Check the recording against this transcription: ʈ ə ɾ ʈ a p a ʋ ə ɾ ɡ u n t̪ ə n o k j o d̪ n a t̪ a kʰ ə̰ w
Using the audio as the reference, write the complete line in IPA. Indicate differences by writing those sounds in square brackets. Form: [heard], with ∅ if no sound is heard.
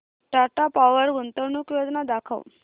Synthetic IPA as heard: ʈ [a] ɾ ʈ a p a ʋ ə ɾ ɡ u n t̪ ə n [u] k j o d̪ n a [d̪] a kʰ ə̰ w